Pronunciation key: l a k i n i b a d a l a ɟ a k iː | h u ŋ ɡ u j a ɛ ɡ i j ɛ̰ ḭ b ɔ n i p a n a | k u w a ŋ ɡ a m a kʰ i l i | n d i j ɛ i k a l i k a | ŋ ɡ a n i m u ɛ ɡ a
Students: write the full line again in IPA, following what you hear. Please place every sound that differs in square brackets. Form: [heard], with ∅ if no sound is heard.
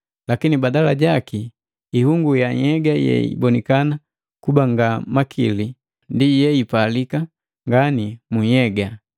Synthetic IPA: l a k i n i b a d a l a ɟ a k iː | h u ŋ ɡ u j a ɛ ɡ [a] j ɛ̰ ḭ b ɔ n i [k] a n a | k u [b] a ŋ ɡ a m a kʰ i l i | n d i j ɛ i [p] a l i k a | ŋ ɡ a n i m u ɛ ɡ a